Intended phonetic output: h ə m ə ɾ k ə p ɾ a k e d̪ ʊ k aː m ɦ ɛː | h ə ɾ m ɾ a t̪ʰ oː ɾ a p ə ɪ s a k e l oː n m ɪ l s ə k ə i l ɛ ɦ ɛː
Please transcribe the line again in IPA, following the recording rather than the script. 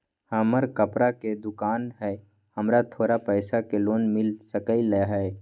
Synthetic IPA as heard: h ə m ə ɾ k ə p ɾ a k e d̪ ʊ k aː n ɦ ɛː | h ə m ɾ a t̪ʰ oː ɾ a p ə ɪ s a k e l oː n m ɪ l s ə k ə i l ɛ ɦ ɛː